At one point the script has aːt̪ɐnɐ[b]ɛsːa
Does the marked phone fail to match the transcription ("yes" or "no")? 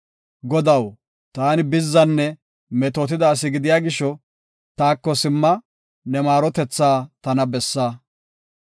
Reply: no